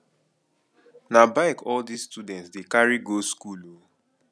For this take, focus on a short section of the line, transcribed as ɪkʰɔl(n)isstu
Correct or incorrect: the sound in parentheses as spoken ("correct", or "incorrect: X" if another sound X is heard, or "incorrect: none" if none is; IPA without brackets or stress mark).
incorrect: d